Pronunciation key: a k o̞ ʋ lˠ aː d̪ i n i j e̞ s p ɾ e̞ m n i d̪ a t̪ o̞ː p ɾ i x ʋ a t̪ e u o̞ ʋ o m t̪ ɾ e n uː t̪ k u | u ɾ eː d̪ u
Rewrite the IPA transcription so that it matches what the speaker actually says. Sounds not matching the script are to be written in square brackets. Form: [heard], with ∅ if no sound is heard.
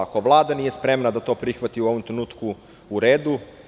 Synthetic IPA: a k o̞ ʋ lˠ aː d̪ [a] n i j e̞ s p ɾ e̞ m n [a] d̪ a t̪ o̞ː p ɾ i x ʋ a t̪ [i] u o̞ ʋ o m t̪ ɾ e n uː t̪ k u | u ɾ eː d̪ u